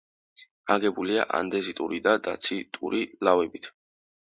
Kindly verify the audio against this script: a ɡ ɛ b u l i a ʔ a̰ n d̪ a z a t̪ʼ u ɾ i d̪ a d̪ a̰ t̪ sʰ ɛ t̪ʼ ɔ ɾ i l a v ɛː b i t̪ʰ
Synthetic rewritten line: a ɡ ɛ b u l i a ʔ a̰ n d̪ ɛ z i t̪ʼ u ɾ i d̪ a d̪ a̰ t̪ sʰ i t̪ʼ u ɾ i l a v ɛ b i t̪ʰ